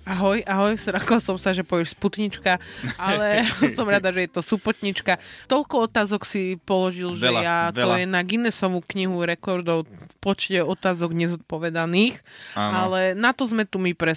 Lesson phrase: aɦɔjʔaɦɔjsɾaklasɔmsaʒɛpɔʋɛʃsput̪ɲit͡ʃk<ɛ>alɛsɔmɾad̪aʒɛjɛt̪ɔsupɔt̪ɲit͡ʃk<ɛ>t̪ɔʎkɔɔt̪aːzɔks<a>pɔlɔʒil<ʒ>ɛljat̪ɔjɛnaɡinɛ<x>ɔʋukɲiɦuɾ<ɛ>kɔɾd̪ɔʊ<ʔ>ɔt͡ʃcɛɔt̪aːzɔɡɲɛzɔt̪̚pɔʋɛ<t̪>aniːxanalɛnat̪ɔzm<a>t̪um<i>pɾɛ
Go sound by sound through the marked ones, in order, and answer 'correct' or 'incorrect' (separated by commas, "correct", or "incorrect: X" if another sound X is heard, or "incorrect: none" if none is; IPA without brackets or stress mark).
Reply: incorrect: a, incorrect: a, incorrect: i, correct, incorrect: s, correct, incorrect: p, incorrect: d̪, incorrect: ɛ, correct